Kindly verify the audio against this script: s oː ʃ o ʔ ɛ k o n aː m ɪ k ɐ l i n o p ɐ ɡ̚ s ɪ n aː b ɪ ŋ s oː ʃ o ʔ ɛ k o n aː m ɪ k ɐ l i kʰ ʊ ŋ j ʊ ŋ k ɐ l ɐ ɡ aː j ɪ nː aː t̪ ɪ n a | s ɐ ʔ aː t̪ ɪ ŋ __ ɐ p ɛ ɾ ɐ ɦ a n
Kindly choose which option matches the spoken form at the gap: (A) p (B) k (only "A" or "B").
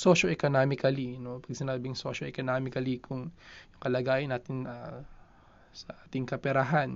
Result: B